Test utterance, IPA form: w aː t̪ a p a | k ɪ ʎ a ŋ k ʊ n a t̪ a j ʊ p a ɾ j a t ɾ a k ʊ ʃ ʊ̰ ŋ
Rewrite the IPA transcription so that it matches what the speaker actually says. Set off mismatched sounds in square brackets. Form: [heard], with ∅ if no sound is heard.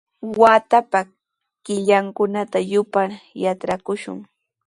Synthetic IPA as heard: w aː t̪ a p a | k ɪ ʎ a ŋ k ʊ n a t̪ a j ʊ p a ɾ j a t ɾ a k ʊ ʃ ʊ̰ ŋ